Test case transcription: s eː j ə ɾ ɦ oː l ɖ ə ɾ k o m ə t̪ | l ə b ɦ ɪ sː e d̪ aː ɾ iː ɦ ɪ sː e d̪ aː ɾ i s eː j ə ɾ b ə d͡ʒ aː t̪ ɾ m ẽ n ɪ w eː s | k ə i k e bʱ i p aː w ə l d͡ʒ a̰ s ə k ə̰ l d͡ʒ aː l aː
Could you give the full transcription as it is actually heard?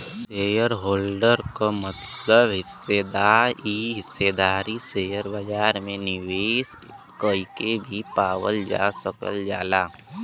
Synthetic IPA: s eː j ə ɾ ɦ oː l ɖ ə ɾ k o m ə t̪ | l ə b ɦ ɪ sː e d̪ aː ɾ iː ɦ ɪ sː e d̪ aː ɾ i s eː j ə ɾ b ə d͡ʒ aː ɾ m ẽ n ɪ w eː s | k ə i k e bʱ i p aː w ə l d͡ʒ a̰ s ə k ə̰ l d͡ʒ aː l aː